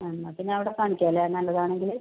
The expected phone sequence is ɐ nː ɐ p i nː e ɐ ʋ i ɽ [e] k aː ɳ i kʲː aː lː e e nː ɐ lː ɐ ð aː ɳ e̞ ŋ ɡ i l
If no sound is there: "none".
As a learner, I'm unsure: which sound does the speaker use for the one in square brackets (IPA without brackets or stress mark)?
e